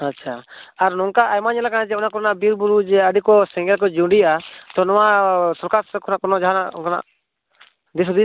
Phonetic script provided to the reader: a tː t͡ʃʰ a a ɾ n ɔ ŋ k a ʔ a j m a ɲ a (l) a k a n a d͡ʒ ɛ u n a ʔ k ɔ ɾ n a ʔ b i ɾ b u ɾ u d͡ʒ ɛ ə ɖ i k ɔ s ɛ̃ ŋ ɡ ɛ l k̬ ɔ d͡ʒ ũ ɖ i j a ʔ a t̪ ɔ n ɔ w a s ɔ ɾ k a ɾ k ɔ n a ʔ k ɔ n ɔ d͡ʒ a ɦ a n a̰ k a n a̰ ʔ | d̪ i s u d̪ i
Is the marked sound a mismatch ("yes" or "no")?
no